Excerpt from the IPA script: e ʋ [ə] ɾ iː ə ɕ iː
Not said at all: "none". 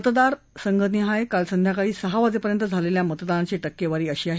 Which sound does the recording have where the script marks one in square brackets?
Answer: a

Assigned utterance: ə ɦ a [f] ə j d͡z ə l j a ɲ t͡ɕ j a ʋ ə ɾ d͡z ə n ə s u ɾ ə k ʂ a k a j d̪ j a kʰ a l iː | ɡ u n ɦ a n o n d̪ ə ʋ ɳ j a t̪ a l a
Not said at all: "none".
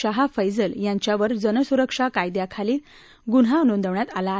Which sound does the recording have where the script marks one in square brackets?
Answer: f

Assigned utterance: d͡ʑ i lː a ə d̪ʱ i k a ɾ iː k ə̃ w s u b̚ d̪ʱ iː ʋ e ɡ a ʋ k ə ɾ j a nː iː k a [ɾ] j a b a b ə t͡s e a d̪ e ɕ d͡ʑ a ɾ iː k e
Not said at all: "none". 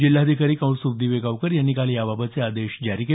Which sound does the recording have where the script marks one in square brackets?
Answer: l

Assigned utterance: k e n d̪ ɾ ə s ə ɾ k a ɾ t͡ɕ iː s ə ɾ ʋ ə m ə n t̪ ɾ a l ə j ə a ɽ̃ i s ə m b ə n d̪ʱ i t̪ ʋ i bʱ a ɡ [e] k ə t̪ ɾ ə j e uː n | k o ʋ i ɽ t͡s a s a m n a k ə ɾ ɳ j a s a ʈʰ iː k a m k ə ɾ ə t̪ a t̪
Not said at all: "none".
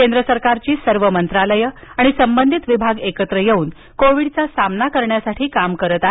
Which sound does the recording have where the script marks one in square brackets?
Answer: e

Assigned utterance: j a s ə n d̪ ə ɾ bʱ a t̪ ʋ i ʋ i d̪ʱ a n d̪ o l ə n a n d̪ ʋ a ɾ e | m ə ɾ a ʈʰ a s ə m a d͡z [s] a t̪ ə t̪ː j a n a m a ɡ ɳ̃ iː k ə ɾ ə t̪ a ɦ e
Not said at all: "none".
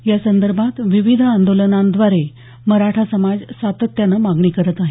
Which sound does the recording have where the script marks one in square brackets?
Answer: s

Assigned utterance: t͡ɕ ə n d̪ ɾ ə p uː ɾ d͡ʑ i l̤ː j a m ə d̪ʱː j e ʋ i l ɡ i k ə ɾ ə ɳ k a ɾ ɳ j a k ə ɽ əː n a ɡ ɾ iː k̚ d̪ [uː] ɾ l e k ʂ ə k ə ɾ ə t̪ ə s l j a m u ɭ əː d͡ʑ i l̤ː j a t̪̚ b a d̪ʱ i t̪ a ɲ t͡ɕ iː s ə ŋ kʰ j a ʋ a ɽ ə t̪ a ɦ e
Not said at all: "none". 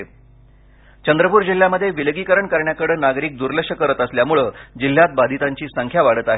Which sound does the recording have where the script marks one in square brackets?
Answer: u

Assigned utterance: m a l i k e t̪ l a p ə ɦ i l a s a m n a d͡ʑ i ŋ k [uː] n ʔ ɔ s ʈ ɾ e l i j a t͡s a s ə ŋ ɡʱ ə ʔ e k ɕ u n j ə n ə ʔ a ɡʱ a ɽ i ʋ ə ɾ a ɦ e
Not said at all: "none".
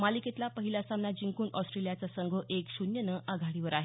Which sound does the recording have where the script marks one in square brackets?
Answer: uː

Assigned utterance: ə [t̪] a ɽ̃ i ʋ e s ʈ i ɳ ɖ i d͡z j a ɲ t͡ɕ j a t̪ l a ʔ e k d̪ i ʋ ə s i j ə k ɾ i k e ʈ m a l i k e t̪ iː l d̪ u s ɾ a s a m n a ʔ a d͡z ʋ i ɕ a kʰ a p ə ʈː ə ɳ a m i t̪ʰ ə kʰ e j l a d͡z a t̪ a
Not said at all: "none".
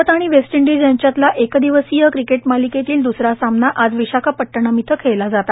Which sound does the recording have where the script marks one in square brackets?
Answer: t̪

